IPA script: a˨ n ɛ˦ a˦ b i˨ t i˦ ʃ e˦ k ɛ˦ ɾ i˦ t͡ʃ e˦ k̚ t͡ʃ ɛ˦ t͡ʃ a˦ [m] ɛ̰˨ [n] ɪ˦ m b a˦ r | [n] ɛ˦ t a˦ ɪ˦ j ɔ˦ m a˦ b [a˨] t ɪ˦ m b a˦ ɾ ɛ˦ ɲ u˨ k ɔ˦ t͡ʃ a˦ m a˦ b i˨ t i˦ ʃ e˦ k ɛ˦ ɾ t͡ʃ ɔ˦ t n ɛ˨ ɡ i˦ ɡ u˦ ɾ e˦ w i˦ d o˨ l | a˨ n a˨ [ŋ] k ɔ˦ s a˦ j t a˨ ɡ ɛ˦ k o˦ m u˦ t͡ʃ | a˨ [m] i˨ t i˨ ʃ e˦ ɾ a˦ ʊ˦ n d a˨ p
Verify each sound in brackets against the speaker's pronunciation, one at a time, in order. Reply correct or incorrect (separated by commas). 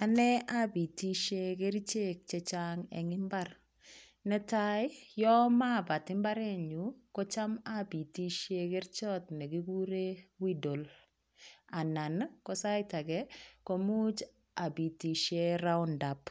incorrect, incorrect, correct, correct, incorrect, incorrect